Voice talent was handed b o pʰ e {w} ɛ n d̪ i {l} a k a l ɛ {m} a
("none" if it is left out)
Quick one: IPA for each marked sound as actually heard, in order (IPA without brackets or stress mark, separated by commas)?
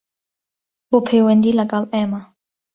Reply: w, l, m